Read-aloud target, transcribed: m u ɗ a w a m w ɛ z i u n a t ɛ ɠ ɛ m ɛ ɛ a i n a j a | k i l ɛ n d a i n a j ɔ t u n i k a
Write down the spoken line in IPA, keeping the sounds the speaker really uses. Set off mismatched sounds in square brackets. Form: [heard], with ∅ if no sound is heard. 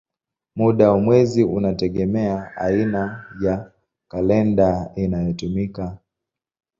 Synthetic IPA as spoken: m u ɗ a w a m w ɛ z i u n a t ɛ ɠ ɛ m ɛ [a] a i n a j a | k [a] l ɛ n d a i n a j ɔ t u [m] i k a